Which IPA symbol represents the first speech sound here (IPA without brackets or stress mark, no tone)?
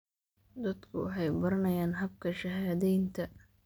d̪